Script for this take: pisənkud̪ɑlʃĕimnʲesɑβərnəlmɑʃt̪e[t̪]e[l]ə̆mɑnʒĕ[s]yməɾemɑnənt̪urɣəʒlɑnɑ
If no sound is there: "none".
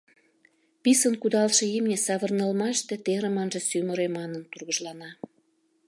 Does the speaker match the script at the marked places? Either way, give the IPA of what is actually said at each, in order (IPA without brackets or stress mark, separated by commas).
t̪, ɾ, s